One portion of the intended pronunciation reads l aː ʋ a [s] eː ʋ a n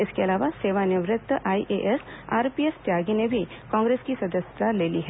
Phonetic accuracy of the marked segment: correct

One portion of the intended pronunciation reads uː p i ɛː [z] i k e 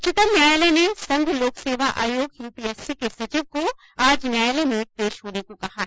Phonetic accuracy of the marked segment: incorrect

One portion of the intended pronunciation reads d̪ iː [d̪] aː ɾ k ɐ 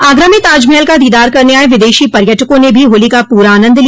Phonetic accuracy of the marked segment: correct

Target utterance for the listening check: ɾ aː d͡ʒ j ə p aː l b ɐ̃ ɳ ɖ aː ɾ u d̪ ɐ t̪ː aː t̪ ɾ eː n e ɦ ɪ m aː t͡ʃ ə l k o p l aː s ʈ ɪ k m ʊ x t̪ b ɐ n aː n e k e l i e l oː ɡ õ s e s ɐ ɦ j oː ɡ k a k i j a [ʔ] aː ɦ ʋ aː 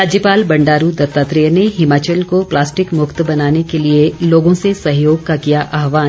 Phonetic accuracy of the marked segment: correct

